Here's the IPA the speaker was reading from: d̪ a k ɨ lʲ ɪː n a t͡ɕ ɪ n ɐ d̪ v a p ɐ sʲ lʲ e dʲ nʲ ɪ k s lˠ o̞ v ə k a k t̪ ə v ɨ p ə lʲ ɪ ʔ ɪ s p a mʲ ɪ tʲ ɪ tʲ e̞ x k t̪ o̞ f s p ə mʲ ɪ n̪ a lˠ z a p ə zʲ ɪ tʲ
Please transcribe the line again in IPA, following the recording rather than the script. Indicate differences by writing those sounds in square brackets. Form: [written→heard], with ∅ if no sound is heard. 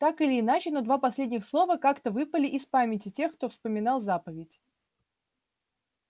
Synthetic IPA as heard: [d̪→t̪] a k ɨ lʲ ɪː n a t͡ɕ ɪ n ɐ d̪ v a p ɐ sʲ lʲ e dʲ nʲ ɪ [k→x] s lˠ o̞ v ə k a k t̪ ə v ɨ p ə lʲ ɪ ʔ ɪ s p a mʲ ɪ tʲ ɪ tʲ e̞ x k t̪ o̞ f s p ə mʲ ɪ n̪ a lˠ z a p ə [zʲ→vʲ] ɪ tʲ